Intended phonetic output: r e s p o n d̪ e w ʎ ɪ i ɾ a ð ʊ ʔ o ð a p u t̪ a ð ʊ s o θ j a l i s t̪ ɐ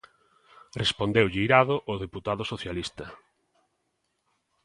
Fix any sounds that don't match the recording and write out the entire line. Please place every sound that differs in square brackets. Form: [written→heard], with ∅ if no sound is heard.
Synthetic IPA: r e s p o n d̪ e w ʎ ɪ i ɾ a ð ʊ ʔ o ð [a→e] p u t̪ a ð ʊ s o θ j a l i s t̪ ɐ